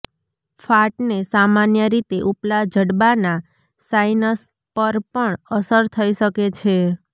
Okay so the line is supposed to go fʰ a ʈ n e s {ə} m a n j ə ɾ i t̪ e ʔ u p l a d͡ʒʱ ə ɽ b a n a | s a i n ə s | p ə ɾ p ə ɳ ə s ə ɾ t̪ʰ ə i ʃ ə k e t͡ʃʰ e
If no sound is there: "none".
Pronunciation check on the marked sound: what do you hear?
a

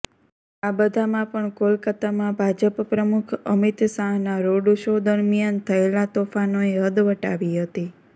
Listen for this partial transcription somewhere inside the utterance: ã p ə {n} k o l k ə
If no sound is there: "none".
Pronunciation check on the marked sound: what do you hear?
ɳ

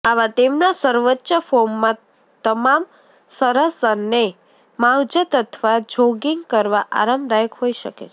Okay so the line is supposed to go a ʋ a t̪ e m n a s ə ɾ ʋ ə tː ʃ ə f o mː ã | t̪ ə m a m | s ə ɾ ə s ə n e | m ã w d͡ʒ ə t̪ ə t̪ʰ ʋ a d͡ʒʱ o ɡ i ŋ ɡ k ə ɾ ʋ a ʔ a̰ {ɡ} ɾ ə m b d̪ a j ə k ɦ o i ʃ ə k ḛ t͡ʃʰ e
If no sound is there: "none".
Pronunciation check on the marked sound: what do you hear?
none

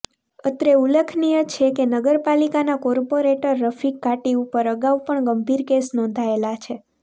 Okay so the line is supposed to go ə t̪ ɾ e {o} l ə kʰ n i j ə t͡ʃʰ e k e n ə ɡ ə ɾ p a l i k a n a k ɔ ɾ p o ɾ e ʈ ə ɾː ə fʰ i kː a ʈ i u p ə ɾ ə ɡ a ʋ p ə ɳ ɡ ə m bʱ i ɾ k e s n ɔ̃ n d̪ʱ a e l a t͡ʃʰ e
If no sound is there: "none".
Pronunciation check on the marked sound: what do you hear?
u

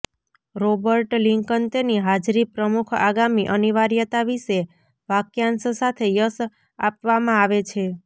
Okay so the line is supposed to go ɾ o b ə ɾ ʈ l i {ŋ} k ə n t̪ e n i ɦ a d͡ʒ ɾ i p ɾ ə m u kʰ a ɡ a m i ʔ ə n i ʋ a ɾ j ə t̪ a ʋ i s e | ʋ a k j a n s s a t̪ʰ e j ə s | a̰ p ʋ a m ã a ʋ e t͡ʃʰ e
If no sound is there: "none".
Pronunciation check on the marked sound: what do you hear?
ŋ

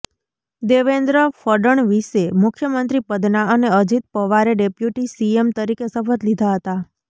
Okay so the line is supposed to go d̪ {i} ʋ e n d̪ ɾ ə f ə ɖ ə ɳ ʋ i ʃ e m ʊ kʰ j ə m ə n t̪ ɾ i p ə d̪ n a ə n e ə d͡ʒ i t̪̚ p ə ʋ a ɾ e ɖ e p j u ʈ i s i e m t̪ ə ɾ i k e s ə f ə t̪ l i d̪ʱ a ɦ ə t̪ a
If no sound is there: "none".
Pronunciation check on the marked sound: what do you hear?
e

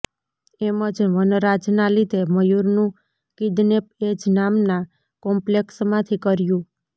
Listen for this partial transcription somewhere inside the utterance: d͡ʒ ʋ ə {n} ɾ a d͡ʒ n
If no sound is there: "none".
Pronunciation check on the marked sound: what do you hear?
n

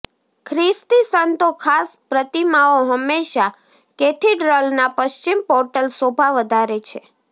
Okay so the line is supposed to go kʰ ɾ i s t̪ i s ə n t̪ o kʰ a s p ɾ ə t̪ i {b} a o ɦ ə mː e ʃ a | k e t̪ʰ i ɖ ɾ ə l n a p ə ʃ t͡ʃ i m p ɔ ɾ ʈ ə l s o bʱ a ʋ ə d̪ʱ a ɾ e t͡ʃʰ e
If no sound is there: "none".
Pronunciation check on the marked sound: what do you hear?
m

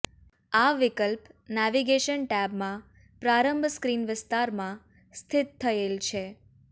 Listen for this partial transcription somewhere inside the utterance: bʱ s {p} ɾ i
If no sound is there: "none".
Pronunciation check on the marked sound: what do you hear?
k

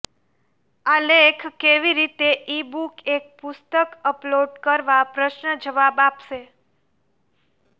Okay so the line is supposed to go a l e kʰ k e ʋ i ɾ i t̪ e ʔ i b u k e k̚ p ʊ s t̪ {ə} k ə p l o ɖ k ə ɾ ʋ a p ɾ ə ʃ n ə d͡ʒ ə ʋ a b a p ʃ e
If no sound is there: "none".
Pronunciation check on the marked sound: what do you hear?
ə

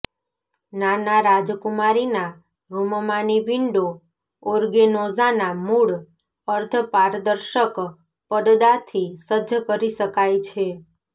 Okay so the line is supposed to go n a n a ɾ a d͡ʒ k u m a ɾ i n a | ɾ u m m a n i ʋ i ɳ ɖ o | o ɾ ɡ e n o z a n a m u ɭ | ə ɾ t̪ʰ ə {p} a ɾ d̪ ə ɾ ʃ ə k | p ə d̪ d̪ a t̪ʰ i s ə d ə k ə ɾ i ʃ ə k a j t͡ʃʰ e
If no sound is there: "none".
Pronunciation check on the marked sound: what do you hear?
p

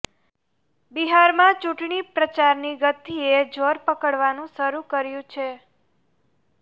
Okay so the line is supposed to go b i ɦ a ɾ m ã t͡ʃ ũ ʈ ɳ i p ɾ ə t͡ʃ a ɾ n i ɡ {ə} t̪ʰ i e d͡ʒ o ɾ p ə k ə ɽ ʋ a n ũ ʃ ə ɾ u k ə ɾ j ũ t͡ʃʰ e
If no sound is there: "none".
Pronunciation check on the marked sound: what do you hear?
ə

